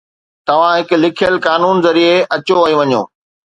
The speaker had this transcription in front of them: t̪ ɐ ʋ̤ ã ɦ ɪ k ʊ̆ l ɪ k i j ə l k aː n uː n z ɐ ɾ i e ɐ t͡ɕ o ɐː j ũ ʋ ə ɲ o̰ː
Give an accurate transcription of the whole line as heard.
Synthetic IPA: t̪ ɐ ʋ̤ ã ɦ ɪ k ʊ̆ l ɪ kʰ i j ə l k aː n uː n z ɐ ɾ i e ɐ t͡ɕ o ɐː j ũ ʋ ɐ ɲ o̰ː